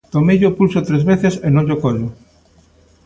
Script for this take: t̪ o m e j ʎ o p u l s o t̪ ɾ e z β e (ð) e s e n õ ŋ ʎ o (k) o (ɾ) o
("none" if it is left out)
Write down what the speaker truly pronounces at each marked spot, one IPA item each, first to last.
θ, k, ʎ

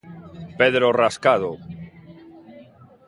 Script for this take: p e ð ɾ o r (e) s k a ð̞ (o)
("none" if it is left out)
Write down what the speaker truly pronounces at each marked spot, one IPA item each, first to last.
a, o

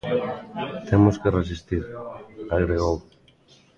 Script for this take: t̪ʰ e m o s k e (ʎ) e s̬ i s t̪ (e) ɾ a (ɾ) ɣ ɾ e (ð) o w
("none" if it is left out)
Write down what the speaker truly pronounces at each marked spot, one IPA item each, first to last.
r, i, none, ɣ

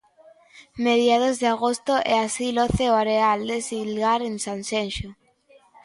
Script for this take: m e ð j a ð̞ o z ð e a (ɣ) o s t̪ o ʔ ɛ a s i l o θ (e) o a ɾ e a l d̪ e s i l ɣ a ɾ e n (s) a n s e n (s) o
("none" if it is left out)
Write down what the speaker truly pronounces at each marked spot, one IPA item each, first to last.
ɣ, e, s, ʃ

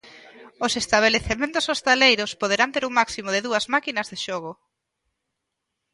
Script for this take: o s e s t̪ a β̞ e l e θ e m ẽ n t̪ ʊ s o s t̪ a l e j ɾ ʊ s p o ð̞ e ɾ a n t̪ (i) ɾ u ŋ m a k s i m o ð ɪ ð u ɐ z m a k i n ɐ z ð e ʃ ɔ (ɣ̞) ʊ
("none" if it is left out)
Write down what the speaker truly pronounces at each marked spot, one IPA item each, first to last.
e, ɣ̞

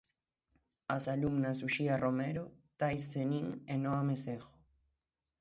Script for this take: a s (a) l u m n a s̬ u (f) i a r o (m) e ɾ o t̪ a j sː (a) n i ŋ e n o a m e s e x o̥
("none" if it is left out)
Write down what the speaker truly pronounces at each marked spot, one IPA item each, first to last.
a, ʃ, m, e

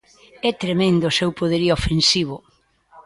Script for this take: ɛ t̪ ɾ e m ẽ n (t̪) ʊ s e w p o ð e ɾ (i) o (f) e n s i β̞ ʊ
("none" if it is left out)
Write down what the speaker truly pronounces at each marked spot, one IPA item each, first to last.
d̪, i, f

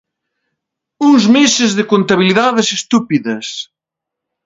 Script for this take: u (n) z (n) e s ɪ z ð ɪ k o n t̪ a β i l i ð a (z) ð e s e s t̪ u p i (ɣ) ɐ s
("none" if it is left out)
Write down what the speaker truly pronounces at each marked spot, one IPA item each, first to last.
ŋ, m, none, ð

